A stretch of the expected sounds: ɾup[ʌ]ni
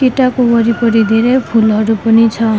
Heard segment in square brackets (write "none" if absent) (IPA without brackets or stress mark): ɔ